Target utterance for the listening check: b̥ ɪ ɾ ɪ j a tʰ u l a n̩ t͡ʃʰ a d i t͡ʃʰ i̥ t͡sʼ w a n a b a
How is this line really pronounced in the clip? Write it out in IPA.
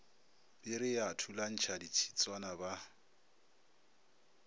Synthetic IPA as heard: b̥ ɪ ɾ ɪ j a tʰ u l a n̩ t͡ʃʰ a d i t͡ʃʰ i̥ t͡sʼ w a n a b a

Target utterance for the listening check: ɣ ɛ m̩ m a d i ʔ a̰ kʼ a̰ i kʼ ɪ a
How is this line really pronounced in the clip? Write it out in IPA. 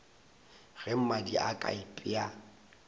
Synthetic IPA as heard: ɣ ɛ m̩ m a d i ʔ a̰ kʼ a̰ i pʼ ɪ a

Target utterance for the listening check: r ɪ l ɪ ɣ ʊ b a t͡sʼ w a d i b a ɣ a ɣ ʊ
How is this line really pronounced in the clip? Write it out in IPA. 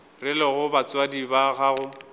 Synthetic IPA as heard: r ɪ l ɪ ɣ ʊ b a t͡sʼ w a d i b a ɣ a ɣ ʊ

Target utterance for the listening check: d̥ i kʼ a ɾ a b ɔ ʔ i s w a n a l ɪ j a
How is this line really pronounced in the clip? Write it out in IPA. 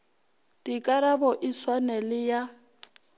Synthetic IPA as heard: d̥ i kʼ a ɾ a b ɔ ʔ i s w a n ɛ l ɪ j a

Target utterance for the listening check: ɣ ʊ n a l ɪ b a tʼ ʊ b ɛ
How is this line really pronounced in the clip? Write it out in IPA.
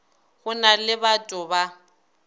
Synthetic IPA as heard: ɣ ʊ n a l ɪ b a tʼ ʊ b a

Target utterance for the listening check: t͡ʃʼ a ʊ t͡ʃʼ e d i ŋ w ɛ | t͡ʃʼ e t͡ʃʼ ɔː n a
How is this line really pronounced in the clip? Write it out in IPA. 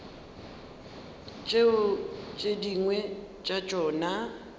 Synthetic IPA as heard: t͡ʃʼ e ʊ t͡ʃʼ e d i ŋ w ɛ | t͡ʃʼ a t͡ʃʼ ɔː n a

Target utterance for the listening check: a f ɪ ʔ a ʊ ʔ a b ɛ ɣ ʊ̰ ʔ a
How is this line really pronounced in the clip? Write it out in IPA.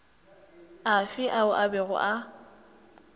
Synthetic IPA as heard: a f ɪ ʔ a ʊ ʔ a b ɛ ɣ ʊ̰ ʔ a

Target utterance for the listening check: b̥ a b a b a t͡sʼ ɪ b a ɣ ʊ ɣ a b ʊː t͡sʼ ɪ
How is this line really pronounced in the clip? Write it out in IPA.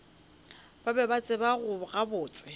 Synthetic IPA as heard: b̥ a b ɛ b a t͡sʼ ɪ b a ɣ ʊ ɣ a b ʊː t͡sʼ ɪ

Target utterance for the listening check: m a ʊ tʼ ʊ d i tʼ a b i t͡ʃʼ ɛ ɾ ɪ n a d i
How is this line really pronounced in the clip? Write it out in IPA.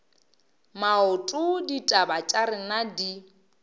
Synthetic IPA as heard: m a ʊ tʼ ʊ d i tʼ a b a t͡ʃʼ a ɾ ɪ n a d i

